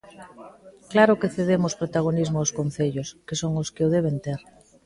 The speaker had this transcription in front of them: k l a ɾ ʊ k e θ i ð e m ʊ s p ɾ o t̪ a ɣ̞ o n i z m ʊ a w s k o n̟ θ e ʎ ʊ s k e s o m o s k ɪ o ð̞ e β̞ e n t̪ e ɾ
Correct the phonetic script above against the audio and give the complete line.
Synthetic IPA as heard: k l a ɾ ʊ k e θ e ð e m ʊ s p ɾ o t̪ a ɣ̞ o n i z m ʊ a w s k o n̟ θ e ʎ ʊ s k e s o ŋ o s k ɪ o ð̞ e β̞ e n t̪ e ɾ